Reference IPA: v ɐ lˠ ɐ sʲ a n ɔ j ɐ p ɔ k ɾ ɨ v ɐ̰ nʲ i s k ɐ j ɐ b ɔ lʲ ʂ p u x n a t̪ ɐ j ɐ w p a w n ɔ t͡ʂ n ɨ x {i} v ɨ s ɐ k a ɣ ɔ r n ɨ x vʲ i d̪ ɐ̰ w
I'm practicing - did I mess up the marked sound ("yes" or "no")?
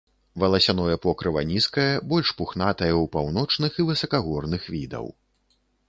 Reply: no